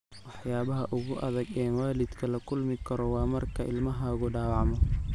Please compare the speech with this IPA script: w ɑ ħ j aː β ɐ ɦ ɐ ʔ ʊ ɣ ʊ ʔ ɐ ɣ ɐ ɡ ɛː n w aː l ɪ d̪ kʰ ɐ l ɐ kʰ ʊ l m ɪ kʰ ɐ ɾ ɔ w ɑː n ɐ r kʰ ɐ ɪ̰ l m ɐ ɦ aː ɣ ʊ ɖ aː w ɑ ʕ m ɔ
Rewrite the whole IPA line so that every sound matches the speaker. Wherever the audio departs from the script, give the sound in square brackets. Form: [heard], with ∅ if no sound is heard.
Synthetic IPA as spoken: w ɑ ħ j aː β ɐ ɦ ɐ ʔ ʊ ɣ ʊ ʔ ɐ [ð] ɐ ɡ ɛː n w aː l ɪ d̪ kʰ ɐ l ɐ kʰ ʊ l m ɪ kʰ ɐ ɾ ɔ w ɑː [m] ɐ r kʰ ɐ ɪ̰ l m ɐ ɦ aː ɣ ʊ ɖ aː w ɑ ʕ m ɔ

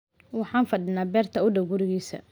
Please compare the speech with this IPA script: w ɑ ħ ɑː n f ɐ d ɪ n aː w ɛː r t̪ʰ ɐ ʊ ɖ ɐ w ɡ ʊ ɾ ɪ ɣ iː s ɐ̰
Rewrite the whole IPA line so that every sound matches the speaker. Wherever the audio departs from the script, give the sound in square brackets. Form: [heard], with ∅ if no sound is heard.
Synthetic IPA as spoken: w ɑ ħ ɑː n f ɐ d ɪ n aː [b] ɛː r t̪ʰ ɐ ʊ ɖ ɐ w ɡ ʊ ɾ ɪ ɣ iː s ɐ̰

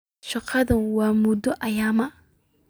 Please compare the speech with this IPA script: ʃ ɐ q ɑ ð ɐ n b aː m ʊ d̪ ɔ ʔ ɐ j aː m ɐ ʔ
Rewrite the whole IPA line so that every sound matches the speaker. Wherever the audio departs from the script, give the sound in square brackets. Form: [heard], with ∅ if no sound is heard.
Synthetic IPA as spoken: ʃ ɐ q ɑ ð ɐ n [w] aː m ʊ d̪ ɔ ʔ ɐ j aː m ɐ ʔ

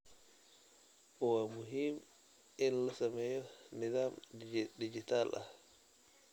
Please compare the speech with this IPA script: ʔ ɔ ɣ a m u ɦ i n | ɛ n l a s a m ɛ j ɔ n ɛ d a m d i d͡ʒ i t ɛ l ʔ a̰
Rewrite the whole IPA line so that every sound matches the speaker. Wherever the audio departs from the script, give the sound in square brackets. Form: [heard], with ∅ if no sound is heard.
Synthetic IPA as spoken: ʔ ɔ [w] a m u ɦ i [m] | ɛ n l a s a m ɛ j ɔ n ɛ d a m d i d͡ʒ i t [a] l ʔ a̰

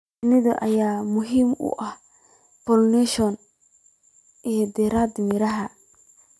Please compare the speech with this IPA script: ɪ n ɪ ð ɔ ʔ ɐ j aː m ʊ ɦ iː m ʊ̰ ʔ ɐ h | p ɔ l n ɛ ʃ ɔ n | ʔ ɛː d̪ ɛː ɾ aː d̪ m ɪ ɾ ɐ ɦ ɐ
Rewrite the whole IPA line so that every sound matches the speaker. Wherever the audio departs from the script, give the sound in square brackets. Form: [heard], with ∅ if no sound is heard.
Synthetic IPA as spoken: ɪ n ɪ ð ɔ ʔ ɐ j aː m ʊ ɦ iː m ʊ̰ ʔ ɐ h | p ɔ l n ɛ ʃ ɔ n | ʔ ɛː d̪ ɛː ɾ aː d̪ m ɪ ɾ ɐ ɦ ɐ

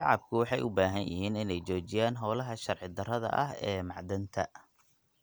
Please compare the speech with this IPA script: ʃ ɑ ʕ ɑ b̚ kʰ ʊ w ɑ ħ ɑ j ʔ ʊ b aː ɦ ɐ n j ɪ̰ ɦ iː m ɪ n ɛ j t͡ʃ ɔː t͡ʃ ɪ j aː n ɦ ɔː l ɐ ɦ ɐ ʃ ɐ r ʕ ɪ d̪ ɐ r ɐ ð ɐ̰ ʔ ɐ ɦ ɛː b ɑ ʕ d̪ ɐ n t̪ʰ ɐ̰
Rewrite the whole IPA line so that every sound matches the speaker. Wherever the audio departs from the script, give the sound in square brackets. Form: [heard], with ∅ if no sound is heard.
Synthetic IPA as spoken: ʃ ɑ ʕ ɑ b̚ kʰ ʊ w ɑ ħ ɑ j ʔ ʊ b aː ɦ ɐ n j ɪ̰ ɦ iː [n] ɪ n ɛ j t͡ʃ ɔː t͡ʃ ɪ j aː n ɦ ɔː l ɐ ɦ ɐ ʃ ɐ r ʕ ɪ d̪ ɐ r ɐ ð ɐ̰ ʔ ɐ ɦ ɛː [m] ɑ ʕ d̪ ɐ n t̪ʰ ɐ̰

